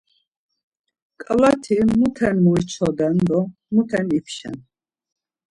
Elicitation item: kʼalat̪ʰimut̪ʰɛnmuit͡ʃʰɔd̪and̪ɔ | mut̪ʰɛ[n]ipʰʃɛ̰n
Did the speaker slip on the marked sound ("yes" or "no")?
no